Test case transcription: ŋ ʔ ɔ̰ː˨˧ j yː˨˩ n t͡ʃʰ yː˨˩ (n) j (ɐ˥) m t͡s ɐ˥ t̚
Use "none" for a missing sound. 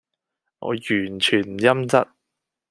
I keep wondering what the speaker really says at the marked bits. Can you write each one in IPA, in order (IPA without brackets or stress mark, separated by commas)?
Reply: n, ɐ˥